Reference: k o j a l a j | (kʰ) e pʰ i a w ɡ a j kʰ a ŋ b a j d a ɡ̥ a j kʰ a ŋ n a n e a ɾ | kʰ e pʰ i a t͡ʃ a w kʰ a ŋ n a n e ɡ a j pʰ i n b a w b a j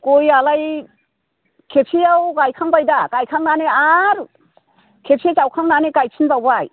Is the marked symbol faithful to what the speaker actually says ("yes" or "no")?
yes